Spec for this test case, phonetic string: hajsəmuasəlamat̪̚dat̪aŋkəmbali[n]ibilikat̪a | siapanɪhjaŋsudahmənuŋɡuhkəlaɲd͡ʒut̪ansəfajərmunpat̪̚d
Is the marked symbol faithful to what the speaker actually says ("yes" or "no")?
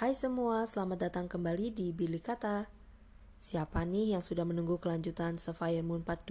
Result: no